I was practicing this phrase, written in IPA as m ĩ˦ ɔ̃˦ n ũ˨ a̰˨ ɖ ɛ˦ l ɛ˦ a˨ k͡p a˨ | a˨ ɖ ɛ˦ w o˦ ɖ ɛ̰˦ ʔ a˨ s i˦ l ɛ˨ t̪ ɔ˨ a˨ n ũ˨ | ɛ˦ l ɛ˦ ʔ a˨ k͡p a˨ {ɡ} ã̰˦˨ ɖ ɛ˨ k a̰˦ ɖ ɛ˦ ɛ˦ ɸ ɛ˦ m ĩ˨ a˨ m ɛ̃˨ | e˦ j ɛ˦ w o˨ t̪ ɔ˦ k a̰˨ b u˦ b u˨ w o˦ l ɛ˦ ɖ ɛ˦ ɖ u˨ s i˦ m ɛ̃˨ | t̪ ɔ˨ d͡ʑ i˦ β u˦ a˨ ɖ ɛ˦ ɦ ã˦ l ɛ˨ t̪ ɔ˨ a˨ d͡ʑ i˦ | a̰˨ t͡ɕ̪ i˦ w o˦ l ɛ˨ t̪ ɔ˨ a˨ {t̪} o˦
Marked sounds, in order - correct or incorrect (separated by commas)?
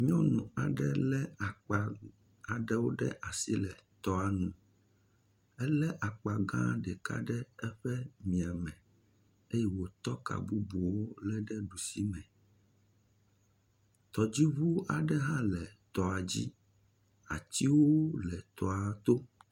correct, correct